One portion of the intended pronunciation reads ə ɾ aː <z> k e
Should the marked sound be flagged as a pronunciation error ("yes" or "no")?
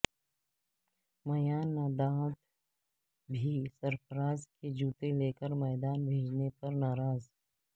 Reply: no